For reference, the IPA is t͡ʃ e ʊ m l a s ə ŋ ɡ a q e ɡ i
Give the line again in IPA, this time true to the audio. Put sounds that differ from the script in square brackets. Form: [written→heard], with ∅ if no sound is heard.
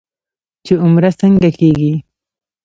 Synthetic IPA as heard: t͡ʃ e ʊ m [l→ɾ] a s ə ŋ ɡ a [q→k] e ɡ i